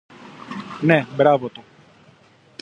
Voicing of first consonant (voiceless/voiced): voiced